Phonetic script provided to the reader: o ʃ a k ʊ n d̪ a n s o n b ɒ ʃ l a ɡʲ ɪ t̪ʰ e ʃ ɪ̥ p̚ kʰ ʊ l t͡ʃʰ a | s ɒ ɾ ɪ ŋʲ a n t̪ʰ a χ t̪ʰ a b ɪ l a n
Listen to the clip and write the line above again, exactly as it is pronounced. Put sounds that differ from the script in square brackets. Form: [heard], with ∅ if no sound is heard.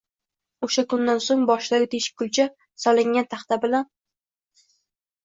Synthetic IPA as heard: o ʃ a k ʊ n d̪ a n s o [ŋ] b ɒ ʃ l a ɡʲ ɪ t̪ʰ e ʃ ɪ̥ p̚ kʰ ʊ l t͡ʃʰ a | s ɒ [l] ɪ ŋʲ a n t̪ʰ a χ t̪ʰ a b ɪ l a n